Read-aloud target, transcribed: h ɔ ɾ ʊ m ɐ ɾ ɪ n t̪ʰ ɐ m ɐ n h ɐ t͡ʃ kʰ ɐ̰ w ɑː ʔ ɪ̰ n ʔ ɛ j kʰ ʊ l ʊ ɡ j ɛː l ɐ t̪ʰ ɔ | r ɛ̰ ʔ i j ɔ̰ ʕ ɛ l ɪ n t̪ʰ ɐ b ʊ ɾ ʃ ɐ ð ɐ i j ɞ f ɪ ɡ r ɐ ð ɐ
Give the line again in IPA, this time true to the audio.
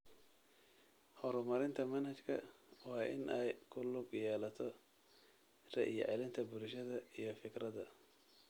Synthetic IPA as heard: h ɔ ɾ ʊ m ɐ ɾ ɪ n t̪ʰ ɐ m ɐ n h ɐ t͡ʃ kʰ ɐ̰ w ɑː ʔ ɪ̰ n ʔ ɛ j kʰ ʊ l ʊ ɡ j ɛː l ɐ t̪ʰ ɔ | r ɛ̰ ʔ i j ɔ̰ ʕ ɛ l ɪ n t̪ʰ ɐ b ʊ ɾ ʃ ɐ ð ɐ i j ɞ f ɪ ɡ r ɐ ð ɐ

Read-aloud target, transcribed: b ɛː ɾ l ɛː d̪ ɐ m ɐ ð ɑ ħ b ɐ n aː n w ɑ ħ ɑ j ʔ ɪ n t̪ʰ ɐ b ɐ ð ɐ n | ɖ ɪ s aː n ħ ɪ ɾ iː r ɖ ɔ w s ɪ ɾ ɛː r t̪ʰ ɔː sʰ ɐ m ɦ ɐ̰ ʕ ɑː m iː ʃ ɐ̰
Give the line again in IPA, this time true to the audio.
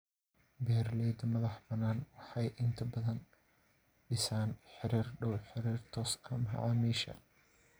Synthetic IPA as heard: b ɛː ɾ l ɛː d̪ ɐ m ɐ ð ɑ ħ b ɐ n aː n w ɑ ħ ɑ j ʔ ɪ n t̪ʰ ɐ b ɐ ð ɐ n | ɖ ɪ s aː n ħ ɪ ɾ iː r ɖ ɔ w ħ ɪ ɾ iː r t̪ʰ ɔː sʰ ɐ m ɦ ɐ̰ ʕ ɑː m iː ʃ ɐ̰

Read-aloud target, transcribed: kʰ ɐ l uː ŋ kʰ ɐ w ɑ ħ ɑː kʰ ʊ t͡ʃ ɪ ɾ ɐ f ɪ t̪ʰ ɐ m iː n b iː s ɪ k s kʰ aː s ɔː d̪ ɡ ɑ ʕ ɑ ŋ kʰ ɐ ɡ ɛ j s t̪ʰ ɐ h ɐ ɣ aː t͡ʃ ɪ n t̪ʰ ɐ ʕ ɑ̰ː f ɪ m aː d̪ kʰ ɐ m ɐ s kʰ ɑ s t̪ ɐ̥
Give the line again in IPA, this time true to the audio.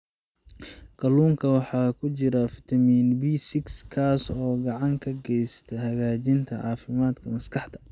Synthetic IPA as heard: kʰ ɐ l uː ŋ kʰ ɐ w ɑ ħ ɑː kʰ ʊ t͡ʃ ɪ ɾ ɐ f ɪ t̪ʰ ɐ m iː n b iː s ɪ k s kʰ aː s ɔː ɡ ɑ ʕ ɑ ŋ kʰ ɐ ɡ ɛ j s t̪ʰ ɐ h ɐ ɣ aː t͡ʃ ɪ n t̪ʰ ɐ ʕ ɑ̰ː f ɪ m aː d̪ kʰ ɐ m ɐ s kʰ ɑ ħ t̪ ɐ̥

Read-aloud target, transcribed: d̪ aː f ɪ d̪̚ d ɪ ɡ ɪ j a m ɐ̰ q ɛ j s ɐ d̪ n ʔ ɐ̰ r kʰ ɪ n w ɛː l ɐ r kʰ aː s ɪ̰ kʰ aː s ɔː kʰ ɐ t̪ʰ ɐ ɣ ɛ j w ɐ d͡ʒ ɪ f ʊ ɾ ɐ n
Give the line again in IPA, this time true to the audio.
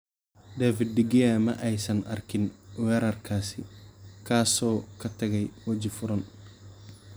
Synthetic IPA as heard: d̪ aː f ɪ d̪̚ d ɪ ɡ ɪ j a m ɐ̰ ʔ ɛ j s ɐ n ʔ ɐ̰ r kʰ ɪ n w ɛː ɾ ɐ r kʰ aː s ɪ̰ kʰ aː s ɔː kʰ ɐ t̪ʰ ɐ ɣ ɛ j w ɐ d͡ʒ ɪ f ʊ ɾ ɐ n

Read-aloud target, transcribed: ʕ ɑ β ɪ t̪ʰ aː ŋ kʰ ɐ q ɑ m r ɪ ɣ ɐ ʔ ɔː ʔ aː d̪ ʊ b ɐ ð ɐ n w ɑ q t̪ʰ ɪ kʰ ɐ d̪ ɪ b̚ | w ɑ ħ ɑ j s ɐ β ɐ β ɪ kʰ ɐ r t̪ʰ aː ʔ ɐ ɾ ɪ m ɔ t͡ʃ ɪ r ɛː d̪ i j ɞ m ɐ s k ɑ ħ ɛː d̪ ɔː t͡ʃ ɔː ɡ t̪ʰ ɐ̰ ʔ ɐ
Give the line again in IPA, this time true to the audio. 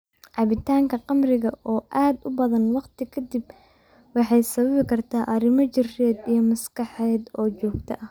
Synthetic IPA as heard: ʕ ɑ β ɪ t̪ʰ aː ŋ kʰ ɐ q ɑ m r ɪ ɣ ɐ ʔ ɔː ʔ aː d̪ ʊ b ɐ ð ɐ n w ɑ q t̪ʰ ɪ kʰ ɐ d̪ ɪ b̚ | w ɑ ħ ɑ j s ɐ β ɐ β ɪ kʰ ɐ r t̪ʰ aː ʔ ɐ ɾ ɪ m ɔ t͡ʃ ɪ r ɛː d̪ i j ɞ m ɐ s k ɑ ħ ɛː d̪ ɔː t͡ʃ ɔː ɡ t̪ʰ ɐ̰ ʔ ɐ

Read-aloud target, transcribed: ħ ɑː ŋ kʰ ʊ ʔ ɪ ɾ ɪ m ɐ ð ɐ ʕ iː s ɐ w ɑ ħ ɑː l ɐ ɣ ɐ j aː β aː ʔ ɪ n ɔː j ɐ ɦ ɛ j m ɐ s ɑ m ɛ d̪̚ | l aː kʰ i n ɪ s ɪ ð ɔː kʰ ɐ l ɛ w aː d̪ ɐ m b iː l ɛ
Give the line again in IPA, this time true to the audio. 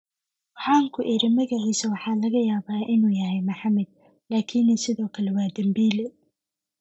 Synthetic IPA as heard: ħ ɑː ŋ kʰ ʊ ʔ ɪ ɾ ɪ m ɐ ɣ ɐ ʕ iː s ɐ w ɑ ħ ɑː l ɐ ɣ ɐ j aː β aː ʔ ɪ n uː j ɐ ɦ ɛ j m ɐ ħ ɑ m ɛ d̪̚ | l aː kʰ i n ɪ s ɪ ð ɔː kʰ ɐ l ɛ w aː d̪ ɐ m b iː l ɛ

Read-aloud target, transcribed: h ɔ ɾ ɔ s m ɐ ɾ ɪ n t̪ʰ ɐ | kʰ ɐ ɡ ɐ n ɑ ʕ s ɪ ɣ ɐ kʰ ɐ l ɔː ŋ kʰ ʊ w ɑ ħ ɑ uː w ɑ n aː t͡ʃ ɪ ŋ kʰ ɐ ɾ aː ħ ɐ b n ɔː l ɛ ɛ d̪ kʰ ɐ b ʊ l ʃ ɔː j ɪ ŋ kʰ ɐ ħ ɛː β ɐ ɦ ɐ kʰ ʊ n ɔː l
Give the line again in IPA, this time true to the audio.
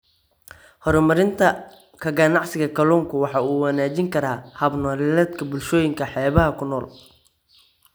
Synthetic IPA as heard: h ɔ ɾ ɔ m ɐ ɾ ɪ n t̪ʰ ɐ | kʰ ɐ ɡ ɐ n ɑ ʕ s ɪ ɣ ɐ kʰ ɐ l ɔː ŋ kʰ ʊ w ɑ ħ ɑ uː w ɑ n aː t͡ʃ ɪ ŋ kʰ ɐ ɾ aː h ɐ b n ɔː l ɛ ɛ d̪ kʰ ɐ b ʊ l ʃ ɔː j ɪ ŋ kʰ ɐ ħ ɛː β ɐ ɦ ɐ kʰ ʊ n ɔː l

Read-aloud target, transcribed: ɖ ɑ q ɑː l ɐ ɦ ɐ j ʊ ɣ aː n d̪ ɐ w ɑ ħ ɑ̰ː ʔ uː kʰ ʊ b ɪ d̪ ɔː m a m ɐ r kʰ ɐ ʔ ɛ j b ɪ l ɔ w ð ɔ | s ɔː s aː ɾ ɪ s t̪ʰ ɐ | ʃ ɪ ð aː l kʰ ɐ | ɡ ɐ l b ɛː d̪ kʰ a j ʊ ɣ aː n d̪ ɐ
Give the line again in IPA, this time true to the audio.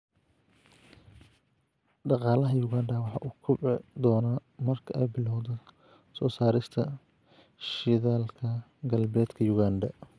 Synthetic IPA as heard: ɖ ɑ q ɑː l ɐ ɦ ɐ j ʊ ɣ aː n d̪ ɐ w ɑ ħ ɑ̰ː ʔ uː kʰ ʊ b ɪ d̪ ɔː n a m ɐ r kʰ ɐ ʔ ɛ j b ɪ l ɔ w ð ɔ | s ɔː s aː ɾ ɪ s t̪ʰ ɐ | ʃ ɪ ð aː l kʰ ɐ | ɡ ɐ l b ɛː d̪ kʰ ɐ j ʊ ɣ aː n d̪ ɐ

